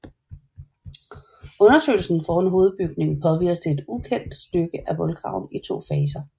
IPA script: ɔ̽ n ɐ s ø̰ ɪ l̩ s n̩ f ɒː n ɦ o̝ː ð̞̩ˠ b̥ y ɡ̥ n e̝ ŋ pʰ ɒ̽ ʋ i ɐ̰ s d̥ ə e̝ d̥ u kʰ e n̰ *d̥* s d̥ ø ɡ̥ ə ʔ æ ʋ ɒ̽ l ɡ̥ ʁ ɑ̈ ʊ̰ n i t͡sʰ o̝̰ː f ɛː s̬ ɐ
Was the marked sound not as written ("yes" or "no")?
no